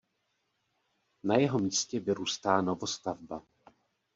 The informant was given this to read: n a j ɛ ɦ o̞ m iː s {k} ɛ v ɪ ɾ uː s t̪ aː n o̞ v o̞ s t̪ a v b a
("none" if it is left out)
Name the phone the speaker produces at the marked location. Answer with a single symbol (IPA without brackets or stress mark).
c